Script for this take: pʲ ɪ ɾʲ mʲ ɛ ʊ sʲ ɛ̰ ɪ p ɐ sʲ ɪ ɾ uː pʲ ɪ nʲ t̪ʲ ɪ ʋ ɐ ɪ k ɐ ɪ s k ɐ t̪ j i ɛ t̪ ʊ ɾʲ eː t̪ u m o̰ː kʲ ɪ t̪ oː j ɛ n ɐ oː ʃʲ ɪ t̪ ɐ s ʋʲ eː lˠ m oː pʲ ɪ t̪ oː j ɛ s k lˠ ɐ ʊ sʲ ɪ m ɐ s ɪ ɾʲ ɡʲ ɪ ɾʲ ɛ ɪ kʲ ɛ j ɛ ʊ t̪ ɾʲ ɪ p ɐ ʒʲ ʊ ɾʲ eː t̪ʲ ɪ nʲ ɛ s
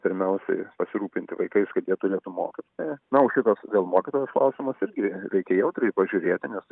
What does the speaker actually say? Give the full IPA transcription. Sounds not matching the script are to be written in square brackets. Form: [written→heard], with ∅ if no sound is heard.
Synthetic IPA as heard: pʲ ɪ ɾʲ mʲ ɛ ʊ sʲ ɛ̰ ɪ p ɐ sʲ ɪ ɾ uː pʲ ɪ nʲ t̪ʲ ɪ ʋ ɐ ɪ k ɐ ɪ s k ɐ t̪ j i ɛ t̪ ʊ ɾʲ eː t̪ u m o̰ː kʲ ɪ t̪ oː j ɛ n ɐ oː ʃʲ ɪ t̪ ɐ s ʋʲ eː lˠ m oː [pʲ→kʲ] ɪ t̪ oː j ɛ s k lˠ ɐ ʊ sʲ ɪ m ɐ s ɪ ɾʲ ɡʲ ɪ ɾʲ ɛ ɪ kʲ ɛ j ɛ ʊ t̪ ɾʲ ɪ p ɐ ʒʲ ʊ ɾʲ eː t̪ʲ ɪ nʲ ɛ s